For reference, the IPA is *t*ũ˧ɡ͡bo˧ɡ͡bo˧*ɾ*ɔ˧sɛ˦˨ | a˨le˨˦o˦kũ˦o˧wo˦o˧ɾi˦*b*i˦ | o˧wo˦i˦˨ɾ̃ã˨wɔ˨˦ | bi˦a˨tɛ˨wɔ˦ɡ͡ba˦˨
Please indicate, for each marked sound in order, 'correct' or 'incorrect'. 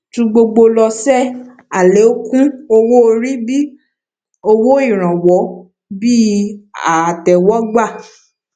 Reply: correct, incorrect: l, correct

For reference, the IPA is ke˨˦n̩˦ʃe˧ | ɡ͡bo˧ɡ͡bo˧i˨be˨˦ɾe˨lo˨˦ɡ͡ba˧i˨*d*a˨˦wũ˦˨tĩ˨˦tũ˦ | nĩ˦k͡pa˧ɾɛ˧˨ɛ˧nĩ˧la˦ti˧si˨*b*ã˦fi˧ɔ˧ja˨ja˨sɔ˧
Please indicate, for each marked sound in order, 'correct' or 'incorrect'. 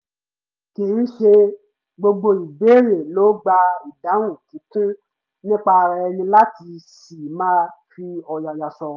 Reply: correct, incorrect: m

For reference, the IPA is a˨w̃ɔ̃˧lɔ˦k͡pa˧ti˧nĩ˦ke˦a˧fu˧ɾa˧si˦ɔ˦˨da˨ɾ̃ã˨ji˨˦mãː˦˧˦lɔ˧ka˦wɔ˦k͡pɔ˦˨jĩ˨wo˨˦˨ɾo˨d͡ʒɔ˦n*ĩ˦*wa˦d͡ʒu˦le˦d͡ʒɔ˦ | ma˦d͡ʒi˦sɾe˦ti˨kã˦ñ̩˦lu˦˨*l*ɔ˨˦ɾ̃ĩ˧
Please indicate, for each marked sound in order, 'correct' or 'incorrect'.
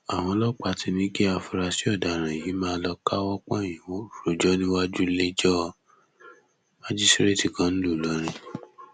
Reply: correct, correct

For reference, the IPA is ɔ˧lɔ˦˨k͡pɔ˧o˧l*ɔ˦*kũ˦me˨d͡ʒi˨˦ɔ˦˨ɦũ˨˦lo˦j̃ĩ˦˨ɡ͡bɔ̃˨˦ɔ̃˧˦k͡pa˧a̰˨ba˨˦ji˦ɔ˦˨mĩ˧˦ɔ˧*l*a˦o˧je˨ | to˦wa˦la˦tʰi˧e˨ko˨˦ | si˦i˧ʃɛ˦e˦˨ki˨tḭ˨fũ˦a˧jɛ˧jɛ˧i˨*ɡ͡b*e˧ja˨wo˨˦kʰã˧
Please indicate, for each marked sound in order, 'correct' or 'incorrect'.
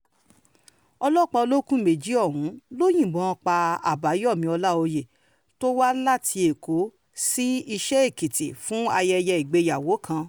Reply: incorrect: o˦, correct, correct

